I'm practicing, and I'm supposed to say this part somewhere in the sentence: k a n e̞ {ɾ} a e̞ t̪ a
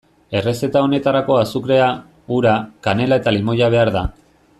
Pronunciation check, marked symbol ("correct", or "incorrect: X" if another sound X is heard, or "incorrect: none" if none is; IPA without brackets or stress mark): incorrect: l